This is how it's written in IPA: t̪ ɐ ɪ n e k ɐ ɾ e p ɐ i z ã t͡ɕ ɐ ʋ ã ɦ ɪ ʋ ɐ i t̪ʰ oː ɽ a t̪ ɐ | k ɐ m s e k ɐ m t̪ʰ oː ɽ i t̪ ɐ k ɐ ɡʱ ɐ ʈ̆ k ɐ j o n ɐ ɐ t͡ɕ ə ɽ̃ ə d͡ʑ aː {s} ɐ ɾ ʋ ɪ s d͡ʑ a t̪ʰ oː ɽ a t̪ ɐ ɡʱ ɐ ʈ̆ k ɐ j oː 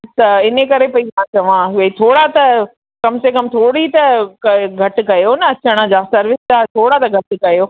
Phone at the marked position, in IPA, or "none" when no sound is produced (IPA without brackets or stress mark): s